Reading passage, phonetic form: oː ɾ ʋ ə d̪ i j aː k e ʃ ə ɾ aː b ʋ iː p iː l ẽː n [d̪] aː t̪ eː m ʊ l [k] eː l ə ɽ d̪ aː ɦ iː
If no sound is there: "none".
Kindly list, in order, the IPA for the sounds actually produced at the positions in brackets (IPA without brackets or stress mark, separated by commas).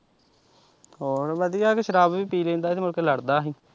d̪, k